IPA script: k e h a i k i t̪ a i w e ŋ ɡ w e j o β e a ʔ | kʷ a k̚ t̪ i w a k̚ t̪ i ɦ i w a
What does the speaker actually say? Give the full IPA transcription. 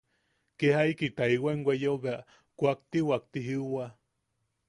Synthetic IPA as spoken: k e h a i k i t̪ a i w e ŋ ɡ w e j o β e a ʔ | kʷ a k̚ t̪ i w a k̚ t̪ i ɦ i w a